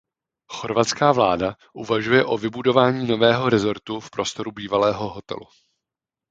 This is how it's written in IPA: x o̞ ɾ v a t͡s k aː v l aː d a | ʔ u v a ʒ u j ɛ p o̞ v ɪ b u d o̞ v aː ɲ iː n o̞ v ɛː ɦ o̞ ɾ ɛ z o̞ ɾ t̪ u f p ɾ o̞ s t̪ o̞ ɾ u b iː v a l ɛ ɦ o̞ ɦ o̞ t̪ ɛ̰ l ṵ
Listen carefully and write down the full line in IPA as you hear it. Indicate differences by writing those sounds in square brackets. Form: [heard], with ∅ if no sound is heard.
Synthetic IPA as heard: x o̞ ɾ v a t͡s k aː v l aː d a | ʔ u v a ʒ u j ɛ [ʔ] o̞ v ɪ b u d o̞ v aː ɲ iː n o̞ v ɛː ɦ o̞ ɾ ɛ z o̞ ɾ t̪ u f p ɾ o̞ s t̪ o̞ ɾ u b iː v a l [ɛː] ɦ o̞ ɦ o̞ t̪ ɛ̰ l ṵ